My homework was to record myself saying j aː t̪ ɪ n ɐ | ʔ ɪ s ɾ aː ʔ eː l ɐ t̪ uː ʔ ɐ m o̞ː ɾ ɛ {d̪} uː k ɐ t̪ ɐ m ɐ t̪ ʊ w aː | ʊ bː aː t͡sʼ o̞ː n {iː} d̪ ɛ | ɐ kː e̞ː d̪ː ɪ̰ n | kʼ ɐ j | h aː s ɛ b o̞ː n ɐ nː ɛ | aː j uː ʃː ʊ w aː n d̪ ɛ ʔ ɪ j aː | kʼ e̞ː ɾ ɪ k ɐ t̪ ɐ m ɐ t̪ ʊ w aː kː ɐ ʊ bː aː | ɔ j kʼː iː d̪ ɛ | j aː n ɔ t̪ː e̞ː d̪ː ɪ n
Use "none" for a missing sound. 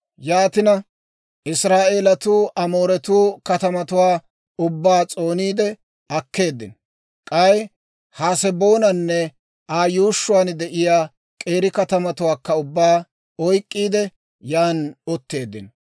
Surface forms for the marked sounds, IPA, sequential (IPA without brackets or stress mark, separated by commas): t̪, iː